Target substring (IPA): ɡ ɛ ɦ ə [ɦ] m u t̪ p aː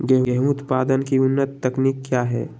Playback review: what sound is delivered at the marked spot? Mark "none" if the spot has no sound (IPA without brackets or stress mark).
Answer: ɦ